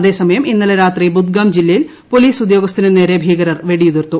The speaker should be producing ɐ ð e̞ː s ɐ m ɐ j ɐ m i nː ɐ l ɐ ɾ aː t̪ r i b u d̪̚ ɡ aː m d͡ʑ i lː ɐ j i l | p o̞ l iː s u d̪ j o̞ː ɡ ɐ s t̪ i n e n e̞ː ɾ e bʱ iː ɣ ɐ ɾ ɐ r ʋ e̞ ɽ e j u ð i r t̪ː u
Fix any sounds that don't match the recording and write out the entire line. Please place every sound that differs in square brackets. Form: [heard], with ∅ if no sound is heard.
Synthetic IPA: ɐ ð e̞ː s ɐ m ɐ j ɐ m i nː ɐ l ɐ ɾ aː t̪ r i b u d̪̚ ɡ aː m d͡ʑ i lː ɐ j i l | p o̞ l iː s u d̪ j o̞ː ɡ ɐ s t̪ i n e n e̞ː ɾ e bʱ iː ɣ ɐ ɾ ɐ r ʋ e̞ ɽ [i] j u ð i r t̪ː u